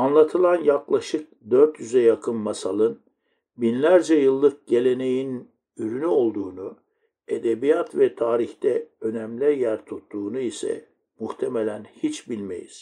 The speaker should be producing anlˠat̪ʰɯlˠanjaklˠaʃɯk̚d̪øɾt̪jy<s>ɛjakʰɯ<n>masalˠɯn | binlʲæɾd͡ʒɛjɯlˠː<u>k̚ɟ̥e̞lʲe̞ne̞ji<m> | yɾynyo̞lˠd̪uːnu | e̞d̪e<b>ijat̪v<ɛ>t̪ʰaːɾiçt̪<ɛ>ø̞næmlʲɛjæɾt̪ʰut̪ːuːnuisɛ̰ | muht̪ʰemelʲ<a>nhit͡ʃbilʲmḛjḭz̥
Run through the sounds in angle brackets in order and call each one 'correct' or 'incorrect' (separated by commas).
incorrect, correct, incorrect, incorrect, correct, correct, correct, incorrect